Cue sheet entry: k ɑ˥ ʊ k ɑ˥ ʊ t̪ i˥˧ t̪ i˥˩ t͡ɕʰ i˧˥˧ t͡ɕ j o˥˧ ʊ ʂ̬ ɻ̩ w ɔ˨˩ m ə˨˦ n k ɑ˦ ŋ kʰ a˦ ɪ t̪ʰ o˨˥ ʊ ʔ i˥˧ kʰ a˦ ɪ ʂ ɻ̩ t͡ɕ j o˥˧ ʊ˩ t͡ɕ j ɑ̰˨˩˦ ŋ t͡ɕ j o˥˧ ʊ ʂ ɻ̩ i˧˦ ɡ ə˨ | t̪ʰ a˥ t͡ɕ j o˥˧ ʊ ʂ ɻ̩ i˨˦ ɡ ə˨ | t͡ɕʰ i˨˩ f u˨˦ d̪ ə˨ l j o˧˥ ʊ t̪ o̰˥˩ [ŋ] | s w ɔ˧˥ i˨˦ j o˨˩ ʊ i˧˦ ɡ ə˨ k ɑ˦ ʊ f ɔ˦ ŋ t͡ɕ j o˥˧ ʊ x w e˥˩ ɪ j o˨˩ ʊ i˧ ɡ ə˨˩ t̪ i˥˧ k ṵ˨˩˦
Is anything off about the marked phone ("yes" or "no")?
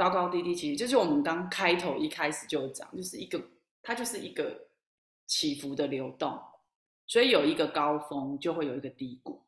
no